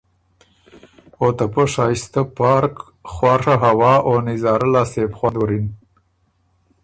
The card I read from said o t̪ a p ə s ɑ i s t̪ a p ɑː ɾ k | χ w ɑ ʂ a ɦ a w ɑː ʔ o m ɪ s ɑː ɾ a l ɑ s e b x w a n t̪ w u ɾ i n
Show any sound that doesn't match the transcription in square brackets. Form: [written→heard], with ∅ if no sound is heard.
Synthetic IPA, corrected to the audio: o t̪ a p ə [s→ʂ] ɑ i s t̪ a p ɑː ɾ k | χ w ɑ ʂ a ɦ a w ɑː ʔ o [m→n] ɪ [s→z] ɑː ɾ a l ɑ s e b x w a n [t̪→d̪] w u ɾ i n